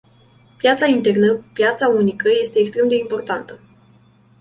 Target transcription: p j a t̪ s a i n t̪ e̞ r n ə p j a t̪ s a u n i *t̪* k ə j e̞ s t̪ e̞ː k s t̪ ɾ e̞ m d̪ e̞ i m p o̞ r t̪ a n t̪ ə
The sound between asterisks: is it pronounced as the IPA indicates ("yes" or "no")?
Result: no